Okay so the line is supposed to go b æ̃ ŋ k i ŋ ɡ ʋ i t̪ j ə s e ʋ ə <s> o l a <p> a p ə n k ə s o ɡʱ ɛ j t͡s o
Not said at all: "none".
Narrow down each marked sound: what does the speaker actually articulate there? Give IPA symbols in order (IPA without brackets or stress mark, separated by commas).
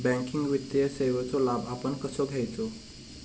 t͡s, b